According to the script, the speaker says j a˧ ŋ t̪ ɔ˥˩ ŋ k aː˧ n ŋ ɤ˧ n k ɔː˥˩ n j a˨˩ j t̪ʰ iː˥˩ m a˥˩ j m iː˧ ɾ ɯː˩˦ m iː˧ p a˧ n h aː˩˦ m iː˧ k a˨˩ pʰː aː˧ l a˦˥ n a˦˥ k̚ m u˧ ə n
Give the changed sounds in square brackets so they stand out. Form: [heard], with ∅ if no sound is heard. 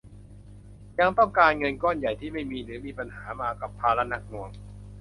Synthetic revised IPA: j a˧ ŋ t̪ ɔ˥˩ ŋ k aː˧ n ŋ ɤ˧ n k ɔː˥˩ n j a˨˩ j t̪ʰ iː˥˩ m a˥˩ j m iː˧ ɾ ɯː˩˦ m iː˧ p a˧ n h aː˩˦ m [aː˧] k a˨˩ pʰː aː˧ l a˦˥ n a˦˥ k̚ [n] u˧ ə [ŋ]